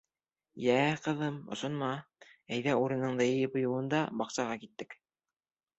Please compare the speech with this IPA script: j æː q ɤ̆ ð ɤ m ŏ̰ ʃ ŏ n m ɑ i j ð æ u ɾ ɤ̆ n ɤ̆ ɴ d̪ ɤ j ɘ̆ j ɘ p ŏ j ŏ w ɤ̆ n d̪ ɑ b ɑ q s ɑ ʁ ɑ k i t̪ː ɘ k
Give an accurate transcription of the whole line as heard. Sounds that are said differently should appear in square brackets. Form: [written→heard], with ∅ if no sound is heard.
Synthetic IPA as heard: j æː q ɤ̆ ð ɤ m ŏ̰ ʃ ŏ n m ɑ [i→æ] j ð æ u ɾ ɤ̆ n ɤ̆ ɴ d̪ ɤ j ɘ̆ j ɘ p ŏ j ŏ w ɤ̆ n d̪ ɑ b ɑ q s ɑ ʁ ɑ k i t̪ː ɘ k